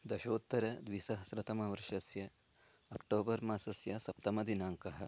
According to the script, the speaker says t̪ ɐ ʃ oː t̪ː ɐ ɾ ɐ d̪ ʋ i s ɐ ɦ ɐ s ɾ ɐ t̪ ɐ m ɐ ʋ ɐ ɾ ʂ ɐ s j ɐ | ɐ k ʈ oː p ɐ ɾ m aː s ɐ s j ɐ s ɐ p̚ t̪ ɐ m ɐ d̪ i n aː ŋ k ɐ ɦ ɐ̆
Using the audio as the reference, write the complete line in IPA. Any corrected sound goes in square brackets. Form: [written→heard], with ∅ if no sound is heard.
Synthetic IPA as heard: [t̪→d̪] ɐ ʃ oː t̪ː ɐ ɾ ɐ d̪ ʋ i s ɐ ɦ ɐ s ɾ ɐ t̪ ɐ m ɐ ʋ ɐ ɾ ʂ ɐ s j ɐ | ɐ k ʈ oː [p→b] ɐ ɾ m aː s ɐ s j ɐ s ɐ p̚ t̪ ɐ m ɐ d̪ i n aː ŋ k ɐ ɦ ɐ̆